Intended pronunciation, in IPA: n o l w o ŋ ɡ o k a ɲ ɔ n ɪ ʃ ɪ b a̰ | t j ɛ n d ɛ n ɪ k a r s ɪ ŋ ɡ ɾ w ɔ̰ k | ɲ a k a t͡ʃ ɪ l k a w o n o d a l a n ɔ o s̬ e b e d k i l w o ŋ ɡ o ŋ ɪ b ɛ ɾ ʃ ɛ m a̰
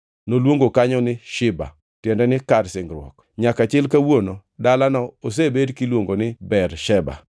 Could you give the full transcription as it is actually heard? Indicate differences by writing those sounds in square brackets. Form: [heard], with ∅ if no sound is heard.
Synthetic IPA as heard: n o l w o ŋ ɡ o k a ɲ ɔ n ɪ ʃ ɪ b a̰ | t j ɛ n d ɛ n ɪ k a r s ɪ ŋ ɡ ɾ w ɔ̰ k | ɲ a k a t͡ʃ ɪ l k a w o n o d a l a n ɔ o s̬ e b e d k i l w o ŋ ɡ o [n] ɪ b ɛ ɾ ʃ ɛ [b] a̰